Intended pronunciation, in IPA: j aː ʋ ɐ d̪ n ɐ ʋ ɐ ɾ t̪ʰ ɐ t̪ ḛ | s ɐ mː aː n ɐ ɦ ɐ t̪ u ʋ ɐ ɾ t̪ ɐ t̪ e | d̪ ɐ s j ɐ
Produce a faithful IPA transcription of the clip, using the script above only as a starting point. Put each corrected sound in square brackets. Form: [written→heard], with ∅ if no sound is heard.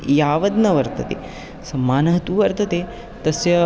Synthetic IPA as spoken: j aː ʋ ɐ d̪ n ɐ ʋ ɐ ɾ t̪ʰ ɐ t̪ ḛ | s ɐ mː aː n ɐ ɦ ɐ t̪ u ʋ ɐ ɾ t̪ ɐ t̪ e | [d̪→t̪] ɐ s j ɐ